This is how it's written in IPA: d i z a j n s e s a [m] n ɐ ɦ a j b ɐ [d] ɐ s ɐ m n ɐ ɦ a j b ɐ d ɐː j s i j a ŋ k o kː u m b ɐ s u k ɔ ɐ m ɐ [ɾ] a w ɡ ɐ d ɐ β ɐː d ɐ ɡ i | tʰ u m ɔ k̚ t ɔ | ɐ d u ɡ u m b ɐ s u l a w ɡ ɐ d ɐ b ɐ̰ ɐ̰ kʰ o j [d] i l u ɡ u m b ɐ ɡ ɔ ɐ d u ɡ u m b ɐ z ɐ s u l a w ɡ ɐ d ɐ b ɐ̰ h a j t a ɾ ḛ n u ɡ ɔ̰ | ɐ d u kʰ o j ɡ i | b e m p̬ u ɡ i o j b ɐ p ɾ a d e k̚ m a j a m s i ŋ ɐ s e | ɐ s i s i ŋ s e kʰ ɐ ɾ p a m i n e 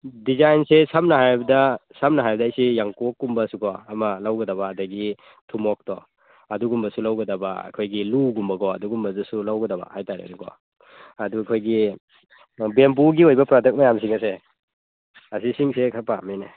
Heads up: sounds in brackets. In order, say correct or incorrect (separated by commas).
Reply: correct, correct, incorrect, incorrect